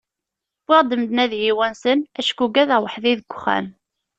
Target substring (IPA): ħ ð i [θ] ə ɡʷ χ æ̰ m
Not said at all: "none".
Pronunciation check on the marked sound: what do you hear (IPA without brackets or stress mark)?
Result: ð